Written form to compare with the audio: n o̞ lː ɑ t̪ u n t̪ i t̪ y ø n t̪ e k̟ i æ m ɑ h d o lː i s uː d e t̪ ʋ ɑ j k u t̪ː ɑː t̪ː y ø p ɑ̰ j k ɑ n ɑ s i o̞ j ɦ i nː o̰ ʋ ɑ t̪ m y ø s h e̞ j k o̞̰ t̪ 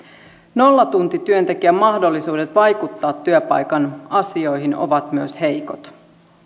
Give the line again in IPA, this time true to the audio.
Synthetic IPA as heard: n o̞ lː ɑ t̪ u n t̪ i t̪ y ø n t̪ e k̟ i æ m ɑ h d o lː i s uː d e t̪ ʋ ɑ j k u t̪ː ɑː t̪ː y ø p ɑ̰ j k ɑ n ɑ s i o̞ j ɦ i n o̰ ʋ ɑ t̪ m y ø s h e̞ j k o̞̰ t̪